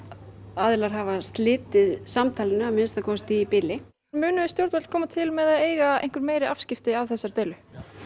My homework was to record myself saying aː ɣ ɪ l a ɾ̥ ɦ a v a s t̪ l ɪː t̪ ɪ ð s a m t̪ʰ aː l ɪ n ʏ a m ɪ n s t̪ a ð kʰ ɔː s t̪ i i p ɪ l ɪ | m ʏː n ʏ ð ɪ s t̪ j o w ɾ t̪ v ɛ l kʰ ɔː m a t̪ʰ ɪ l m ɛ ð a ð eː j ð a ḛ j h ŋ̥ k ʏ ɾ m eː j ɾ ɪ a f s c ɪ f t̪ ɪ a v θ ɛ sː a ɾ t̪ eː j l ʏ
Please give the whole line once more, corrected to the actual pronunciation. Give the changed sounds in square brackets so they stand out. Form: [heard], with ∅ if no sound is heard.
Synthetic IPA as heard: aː [ð] ɪ l a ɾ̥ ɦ a v a s t̪ l ɪː t̪ ɪ ð s a m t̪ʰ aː l ɪ n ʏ a m ɪ n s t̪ a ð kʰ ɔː s t̪ i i p ɪ l ɪ | m ʏː n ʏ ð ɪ s t̪ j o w ɾ t̪ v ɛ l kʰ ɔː m a t̪ʰ ɪ l m ɛ ð a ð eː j [ɣ] a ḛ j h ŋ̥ k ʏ ɾ m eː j ɾ ɪ a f s c ɪ f t̪ ɪ a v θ ɛ sː a ɾ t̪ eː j l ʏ